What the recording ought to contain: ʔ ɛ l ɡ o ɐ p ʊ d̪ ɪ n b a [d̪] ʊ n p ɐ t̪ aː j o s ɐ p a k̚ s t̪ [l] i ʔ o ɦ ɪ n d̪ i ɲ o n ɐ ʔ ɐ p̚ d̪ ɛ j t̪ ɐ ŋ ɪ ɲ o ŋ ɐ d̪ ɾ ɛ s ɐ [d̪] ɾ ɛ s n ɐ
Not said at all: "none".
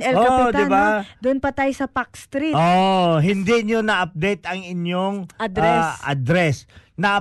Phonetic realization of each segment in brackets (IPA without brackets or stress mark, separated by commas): d̪, ɾ, d̪